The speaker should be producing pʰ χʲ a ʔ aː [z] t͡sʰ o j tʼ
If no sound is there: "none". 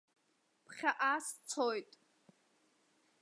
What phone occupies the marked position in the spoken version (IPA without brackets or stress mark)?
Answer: s